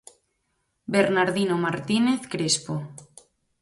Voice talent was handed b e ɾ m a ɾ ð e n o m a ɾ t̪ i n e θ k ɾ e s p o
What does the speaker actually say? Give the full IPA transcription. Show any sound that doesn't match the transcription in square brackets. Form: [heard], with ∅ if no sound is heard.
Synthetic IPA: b e ɾ [n] a ɾ ð [i] n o m a ɾ t̪ i n e θ k ɾ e s p o